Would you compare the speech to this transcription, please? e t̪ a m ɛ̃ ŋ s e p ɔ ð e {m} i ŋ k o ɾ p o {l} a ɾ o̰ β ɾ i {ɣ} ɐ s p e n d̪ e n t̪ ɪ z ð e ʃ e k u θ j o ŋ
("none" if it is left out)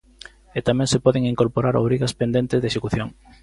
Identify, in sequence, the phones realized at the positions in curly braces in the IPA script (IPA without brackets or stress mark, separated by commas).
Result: ŋ, ɾ, ɣ